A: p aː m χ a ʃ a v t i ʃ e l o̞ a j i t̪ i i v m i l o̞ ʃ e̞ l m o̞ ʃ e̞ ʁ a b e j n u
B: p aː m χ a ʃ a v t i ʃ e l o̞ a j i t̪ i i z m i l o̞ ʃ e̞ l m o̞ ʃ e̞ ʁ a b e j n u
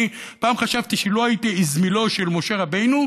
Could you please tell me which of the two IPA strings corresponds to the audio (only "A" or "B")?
B